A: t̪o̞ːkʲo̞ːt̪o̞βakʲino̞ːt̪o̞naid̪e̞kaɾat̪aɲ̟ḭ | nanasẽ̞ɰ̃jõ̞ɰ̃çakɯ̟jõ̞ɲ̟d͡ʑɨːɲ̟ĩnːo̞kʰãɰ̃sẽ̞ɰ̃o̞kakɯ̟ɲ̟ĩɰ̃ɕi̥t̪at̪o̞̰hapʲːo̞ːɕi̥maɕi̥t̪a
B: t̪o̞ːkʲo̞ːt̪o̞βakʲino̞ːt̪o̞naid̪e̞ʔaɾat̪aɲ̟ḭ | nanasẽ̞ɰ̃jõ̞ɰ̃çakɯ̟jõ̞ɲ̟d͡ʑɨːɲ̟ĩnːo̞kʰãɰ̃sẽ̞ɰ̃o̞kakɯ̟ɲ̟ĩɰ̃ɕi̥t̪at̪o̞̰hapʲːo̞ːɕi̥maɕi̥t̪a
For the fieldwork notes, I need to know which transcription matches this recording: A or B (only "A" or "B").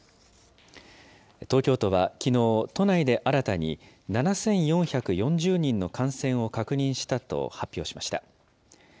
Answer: B